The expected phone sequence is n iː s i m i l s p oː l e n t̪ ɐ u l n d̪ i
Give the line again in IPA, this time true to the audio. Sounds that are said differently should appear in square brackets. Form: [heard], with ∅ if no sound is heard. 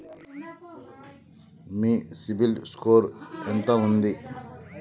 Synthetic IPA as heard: [m] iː s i [b] i l s [k] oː [ɾ] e n t̪ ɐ u [∅] n d̪ i